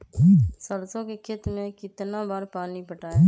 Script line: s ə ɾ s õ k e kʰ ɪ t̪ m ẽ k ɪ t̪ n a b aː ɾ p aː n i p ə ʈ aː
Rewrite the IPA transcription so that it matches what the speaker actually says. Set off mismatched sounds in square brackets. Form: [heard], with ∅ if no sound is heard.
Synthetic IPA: s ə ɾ s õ k e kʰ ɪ t̪ m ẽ k ɪ t̪ n a b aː ɾ p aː n i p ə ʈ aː

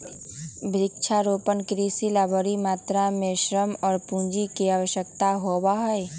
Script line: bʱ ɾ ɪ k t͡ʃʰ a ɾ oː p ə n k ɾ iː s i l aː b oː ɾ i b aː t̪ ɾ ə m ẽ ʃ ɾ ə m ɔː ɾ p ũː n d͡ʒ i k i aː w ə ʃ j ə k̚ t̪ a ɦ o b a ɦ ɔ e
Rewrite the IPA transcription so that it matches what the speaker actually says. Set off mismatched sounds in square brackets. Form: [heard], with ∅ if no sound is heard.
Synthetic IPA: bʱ ɾ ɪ k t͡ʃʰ a ɾ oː p ə n k ɾ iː s i l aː b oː ɾ i [m] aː t̪ ɾ [a] m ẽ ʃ ɾ ə m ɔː ɾ p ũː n d͡ʒ i k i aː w ə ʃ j ə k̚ t̪ a ɦ o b a ɦ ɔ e

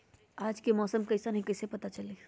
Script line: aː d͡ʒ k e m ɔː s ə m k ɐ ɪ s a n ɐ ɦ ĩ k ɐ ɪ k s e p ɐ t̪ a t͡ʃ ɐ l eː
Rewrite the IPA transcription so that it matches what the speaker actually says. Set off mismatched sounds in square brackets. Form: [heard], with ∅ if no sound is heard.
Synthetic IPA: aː d͡ʒ k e m ɔː s ə m k ɐ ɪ s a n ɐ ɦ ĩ k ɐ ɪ [∅] s e p ɐ t̪ a t͡ʃ ɐ l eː

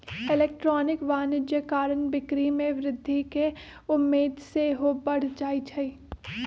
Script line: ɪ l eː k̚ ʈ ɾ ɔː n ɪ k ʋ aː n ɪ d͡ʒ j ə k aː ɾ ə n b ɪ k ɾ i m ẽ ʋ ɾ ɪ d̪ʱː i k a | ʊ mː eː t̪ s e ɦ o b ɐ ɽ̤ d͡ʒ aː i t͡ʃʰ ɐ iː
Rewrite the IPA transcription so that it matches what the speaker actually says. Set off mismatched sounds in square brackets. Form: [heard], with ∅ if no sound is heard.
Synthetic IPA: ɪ l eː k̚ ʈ ɾ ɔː n ɪ k ʋ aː n ɪ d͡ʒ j ə k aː ɾ ə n b ɪ k ɾ i m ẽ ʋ ɾ ɪ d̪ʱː i k [e] | ʊ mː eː [d̪] s e ɦ o b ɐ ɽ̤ d͡ʒ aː i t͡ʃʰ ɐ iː

